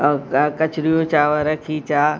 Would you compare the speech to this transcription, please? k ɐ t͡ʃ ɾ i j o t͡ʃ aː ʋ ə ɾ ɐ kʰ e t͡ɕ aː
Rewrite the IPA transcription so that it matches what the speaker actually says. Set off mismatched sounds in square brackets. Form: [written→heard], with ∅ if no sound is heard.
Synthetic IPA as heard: k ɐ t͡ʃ ɾ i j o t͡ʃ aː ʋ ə ɾ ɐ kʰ [e→i] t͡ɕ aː